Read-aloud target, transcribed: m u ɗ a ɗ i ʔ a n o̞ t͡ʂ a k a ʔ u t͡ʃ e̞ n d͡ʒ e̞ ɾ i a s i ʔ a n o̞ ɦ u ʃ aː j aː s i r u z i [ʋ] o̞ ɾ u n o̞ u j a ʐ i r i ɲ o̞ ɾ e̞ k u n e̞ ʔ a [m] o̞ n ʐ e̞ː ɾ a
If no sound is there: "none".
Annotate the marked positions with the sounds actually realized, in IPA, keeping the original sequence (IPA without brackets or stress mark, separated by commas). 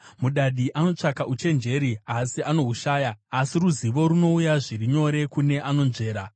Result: ʋ, n